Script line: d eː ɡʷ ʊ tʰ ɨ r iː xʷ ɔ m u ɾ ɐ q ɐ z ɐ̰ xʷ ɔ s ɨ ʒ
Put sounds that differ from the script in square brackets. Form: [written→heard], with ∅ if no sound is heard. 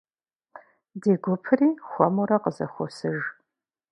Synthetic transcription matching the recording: d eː ɡʷ ʊ [tʰ→pʰ] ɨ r iː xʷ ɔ m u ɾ ɐ q [ɐ→ə] z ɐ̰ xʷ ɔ s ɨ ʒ